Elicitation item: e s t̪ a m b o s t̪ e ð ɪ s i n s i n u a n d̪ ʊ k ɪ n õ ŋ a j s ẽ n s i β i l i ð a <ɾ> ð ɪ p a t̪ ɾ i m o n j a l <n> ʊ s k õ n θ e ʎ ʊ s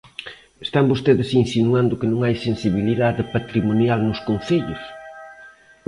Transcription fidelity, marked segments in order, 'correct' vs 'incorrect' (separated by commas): incorrect, correct